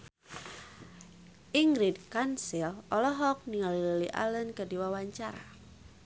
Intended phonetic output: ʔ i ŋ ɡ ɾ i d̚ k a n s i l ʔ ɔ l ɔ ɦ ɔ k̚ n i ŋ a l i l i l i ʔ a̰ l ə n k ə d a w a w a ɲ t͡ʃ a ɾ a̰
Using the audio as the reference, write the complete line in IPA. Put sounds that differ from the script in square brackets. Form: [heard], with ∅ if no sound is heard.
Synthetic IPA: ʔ i ŋ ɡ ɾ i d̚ k a n s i l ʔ ɔ l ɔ ɦ ɔ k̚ n i ŋ a l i l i l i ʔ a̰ l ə n k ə d [i] w a w a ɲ t͡ʃ a ɾ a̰